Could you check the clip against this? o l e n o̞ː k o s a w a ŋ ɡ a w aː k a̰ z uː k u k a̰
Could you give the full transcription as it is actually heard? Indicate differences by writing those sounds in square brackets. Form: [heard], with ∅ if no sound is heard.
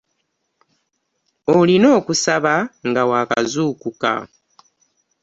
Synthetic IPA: o l [i] n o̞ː k [u] s a [β] a ŋ ɡ a w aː k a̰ z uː k u k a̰